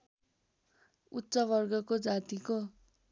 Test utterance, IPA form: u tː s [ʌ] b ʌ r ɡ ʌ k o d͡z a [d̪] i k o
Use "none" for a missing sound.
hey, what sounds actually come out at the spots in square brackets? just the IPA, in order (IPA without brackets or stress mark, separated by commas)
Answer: ʌ, t̪